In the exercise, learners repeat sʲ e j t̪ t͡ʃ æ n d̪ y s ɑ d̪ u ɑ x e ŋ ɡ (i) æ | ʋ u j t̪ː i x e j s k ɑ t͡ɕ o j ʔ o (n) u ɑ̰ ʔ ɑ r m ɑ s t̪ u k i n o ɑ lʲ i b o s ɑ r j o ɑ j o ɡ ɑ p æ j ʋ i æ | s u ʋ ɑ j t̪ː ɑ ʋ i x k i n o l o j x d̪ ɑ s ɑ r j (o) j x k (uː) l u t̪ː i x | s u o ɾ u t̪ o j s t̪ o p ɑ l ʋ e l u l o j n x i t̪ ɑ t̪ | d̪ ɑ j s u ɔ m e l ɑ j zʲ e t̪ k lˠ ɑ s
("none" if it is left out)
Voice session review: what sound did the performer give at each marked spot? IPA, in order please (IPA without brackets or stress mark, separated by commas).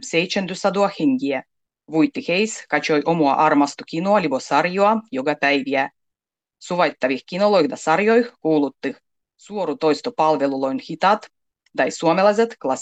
i, m, o, uː